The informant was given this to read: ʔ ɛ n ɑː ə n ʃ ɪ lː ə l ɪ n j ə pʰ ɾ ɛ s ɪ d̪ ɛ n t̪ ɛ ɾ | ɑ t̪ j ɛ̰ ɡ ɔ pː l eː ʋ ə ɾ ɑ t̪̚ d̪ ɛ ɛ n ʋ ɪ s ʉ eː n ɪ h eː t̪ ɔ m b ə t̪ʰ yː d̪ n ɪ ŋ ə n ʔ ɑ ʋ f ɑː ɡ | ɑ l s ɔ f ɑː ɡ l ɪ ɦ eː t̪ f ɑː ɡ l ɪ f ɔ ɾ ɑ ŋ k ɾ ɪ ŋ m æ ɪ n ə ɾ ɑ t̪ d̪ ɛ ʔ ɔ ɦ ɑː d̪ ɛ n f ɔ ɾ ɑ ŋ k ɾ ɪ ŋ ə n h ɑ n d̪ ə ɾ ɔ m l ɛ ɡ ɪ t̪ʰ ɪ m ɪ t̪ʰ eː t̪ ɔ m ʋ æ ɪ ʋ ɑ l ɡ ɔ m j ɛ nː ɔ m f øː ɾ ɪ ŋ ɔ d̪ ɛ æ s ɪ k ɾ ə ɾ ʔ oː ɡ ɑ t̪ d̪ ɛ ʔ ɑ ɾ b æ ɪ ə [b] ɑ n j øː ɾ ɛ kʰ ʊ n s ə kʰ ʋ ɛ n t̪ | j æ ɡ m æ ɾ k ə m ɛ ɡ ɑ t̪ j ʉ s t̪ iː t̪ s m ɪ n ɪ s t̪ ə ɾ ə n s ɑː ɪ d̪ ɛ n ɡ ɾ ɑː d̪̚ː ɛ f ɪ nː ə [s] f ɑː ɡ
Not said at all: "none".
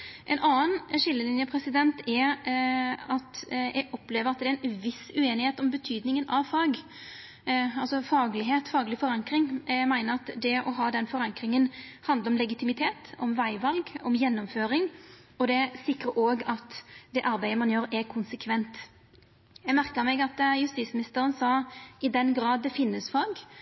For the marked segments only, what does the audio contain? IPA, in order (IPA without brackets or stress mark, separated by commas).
m, s